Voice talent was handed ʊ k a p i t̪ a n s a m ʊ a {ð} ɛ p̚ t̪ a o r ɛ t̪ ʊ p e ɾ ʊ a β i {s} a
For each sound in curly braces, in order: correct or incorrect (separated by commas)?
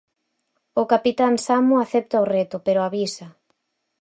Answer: incorrect, correct